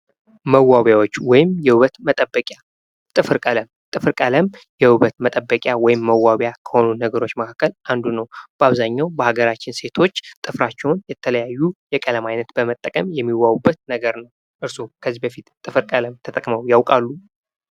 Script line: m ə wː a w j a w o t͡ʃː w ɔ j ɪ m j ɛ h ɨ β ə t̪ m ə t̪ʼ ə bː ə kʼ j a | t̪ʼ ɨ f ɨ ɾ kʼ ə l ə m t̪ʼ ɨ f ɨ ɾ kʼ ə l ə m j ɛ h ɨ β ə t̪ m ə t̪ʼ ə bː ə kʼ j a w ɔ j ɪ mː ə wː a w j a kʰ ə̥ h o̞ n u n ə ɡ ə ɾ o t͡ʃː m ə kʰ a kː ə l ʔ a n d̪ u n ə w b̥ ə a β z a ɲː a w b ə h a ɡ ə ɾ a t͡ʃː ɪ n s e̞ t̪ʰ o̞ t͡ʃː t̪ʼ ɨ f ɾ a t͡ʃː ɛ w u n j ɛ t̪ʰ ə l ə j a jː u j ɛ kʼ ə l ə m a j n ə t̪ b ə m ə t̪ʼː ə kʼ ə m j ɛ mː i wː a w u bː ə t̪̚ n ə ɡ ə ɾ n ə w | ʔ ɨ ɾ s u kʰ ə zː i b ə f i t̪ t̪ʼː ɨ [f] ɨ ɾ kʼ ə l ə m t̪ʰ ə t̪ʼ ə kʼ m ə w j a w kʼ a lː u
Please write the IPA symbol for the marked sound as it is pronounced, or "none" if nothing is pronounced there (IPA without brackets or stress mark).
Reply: f